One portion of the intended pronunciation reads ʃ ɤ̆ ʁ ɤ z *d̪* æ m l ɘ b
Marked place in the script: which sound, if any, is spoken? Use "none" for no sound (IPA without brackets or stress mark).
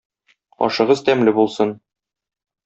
t̪